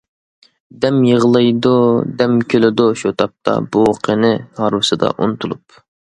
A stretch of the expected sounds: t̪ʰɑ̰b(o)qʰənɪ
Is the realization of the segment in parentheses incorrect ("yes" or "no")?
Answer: yes